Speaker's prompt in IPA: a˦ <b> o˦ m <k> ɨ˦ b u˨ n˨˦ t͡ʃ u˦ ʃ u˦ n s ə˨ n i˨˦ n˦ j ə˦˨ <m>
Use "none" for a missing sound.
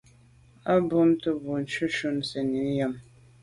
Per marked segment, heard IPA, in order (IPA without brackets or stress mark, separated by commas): b, t, m